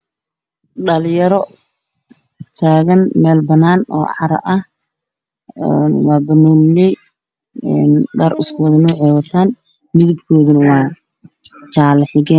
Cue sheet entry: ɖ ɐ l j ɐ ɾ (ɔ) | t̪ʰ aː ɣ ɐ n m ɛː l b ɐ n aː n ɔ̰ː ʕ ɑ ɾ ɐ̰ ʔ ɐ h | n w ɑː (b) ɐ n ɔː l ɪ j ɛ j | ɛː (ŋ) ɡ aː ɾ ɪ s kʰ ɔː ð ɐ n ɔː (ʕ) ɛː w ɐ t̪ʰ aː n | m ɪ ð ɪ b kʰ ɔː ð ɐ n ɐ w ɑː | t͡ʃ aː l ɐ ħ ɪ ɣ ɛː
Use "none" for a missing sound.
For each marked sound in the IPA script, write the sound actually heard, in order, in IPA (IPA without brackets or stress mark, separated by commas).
ɔ, b, n, ʕ